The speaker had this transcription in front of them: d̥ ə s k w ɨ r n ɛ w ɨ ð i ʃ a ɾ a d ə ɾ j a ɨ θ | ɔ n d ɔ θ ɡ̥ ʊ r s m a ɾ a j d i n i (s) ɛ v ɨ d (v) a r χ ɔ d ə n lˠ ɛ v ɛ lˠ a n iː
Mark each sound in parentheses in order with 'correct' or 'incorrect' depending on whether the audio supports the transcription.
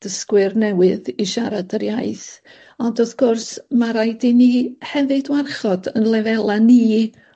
incorrect: h, incorrect: w

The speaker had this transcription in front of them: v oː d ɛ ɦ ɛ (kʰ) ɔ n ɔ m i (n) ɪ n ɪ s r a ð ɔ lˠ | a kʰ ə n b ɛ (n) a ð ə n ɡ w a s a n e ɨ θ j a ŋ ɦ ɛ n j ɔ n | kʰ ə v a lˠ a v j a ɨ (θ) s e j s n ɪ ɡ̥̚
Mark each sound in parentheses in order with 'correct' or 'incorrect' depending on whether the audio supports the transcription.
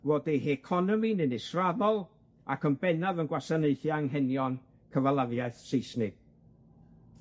correct, correct, correct, correct

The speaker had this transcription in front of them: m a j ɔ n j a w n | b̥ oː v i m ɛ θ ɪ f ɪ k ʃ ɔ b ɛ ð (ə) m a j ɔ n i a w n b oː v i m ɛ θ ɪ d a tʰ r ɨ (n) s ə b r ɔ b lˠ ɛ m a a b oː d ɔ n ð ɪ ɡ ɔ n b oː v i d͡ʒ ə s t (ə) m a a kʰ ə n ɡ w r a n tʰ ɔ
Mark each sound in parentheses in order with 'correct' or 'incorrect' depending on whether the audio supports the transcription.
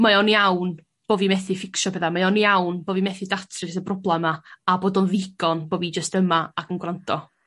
incorrect: a, incorrect: none, correct

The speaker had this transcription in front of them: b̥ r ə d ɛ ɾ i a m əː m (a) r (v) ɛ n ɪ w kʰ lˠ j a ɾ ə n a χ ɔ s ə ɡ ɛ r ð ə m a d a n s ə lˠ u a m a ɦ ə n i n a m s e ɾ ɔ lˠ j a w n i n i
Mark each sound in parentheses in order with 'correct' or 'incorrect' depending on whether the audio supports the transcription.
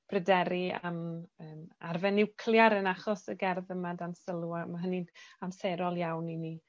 correct, correct

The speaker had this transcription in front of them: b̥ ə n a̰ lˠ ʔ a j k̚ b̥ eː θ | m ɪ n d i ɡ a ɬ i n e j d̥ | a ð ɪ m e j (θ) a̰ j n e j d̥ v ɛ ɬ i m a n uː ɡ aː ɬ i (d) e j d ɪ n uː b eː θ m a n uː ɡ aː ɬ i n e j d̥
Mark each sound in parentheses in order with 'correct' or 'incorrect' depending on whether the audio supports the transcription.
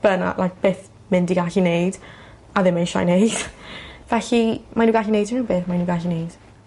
incorrect: ʃ, incorrect: n

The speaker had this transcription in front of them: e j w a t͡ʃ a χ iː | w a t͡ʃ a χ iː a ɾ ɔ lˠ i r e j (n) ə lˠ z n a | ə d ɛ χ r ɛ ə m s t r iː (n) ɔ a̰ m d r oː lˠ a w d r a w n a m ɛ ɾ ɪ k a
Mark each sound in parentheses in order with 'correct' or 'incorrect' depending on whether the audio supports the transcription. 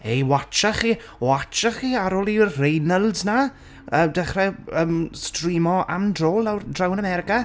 correct, incorrect: m

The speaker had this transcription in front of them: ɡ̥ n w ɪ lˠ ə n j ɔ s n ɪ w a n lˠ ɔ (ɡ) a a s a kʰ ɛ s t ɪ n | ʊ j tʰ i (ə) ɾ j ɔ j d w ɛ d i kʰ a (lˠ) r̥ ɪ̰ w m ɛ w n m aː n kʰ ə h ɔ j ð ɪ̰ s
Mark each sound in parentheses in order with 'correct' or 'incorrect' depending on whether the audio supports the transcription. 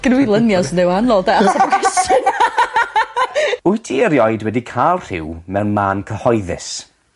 incorrect: d, correct, correct

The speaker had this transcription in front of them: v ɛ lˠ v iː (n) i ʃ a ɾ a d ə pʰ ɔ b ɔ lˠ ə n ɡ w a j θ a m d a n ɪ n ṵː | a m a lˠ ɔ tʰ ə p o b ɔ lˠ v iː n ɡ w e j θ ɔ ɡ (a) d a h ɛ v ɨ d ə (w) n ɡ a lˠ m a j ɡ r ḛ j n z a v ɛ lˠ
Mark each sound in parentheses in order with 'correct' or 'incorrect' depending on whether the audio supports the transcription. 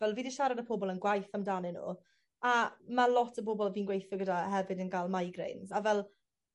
incorrect: d, incorrect: ə, incorrect: none

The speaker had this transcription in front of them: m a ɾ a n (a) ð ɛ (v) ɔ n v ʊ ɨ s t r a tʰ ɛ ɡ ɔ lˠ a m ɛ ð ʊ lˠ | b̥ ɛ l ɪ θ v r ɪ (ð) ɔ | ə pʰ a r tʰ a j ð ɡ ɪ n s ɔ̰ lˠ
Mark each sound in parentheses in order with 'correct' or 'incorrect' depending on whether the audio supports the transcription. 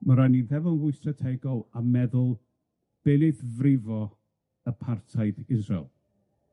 incorrect: i, correct, incorrect: v

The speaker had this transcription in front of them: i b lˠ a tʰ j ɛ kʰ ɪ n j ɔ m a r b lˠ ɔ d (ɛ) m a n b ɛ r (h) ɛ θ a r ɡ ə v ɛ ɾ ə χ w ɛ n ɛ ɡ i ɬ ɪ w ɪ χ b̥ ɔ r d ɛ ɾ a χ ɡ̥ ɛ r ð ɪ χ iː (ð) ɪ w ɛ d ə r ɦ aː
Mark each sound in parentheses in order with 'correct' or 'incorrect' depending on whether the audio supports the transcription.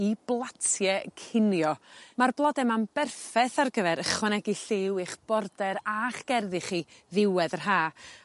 correct, incorrect: f, correct

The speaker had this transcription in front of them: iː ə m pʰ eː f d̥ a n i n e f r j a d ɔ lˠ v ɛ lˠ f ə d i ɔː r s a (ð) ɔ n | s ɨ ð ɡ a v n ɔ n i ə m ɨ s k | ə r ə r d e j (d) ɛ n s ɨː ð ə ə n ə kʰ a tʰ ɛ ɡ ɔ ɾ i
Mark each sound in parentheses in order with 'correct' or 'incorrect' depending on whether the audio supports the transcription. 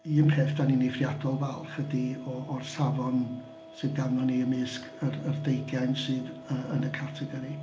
incorrect: v, incorrect: ɡ

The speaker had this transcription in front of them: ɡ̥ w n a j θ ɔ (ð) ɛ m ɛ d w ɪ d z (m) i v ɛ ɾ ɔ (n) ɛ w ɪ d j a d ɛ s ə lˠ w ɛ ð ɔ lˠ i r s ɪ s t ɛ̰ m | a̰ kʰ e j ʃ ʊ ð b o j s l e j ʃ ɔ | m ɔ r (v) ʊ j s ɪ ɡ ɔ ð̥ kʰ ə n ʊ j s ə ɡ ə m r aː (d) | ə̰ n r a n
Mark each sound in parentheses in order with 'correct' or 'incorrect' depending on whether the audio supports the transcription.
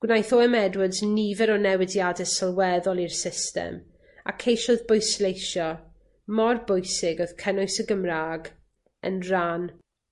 incorrect: none, incorrect: n, correct, incorrect: b, incorrect: ɡ

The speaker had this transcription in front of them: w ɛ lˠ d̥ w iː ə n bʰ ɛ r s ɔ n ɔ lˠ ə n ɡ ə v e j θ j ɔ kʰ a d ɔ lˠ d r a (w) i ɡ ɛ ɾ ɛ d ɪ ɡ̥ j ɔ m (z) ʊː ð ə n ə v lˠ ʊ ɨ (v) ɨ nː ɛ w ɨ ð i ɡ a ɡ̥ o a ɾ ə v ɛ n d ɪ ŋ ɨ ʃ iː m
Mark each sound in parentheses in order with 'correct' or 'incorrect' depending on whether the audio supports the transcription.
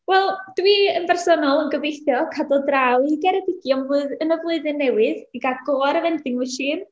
correct, incorrect: v, incorrect: ð

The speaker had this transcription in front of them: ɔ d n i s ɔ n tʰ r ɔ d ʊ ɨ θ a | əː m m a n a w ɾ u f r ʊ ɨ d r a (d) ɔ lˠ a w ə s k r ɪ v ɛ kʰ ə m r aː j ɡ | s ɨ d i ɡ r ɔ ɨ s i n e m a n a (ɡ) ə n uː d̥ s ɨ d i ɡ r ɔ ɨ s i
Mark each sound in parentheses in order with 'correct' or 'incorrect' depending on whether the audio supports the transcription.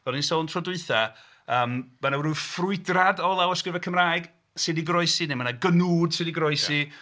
correct, correct

